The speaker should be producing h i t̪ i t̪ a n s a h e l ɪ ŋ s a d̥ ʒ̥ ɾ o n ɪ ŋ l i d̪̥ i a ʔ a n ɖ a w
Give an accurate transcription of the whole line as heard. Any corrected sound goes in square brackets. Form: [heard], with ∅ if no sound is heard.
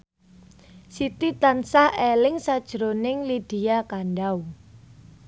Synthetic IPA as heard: [s] i t̪ i t̪ a n s a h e l ɪ ŋ s a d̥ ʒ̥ ɾ o n ɪ ŋ l i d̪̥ i a [k] a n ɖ a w